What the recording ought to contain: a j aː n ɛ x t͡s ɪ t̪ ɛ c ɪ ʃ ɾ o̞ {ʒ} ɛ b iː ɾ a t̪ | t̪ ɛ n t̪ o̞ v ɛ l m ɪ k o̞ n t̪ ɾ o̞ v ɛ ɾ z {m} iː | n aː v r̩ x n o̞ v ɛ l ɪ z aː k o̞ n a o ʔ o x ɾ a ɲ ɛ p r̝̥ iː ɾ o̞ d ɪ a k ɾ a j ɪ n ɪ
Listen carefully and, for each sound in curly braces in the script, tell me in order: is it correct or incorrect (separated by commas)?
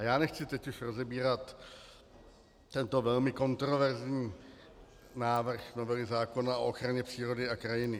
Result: incorrect, incorrect